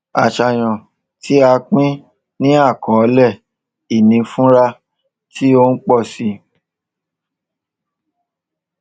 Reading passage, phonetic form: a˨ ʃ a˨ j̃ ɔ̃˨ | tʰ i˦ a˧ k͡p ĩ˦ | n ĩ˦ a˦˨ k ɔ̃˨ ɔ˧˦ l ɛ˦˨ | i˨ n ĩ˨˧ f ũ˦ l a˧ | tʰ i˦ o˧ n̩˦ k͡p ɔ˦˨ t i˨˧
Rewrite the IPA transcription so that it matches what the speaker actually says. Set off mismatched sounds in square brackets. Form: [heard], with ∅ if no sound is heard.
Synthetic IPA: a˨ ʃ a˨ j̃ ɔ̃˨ | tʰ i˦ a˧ k͡p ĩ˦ | n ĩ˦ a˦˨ k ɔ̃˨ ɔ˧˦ l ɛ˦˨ | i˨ n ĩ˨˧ f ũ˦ [ɾ] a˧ | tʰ i˦ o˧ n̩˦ k͡p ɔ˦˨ [s] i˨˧